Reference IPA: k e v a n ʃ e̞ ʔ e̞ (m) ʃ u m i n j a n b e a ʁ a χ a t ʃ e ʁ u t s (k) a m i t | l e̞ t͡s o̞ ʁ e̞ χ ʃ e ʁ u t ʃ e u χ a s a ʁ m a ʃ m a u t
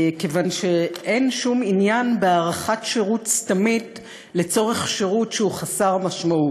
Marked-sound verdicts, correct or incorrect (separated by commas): incorrect, incorrect